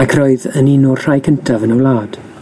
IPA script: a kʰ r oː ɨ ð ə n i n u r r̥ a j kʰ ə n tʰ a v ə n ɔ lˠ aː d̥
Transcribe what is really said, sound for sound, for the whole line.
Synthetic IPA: a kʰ r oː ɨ ð ə n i n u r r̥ a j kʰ ə n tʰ a v ə n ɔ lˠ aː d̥